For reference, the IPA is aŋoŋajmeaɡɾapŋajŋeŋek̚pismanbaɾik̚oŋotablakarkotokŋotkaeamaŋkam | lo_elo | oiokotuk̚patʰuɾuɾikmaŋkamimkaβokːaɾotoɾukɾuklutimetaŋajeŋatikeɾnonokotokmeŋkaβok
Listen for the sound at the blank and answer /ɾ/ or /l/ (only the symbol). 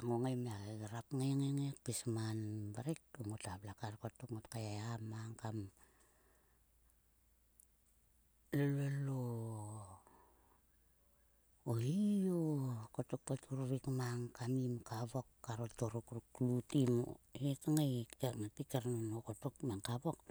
l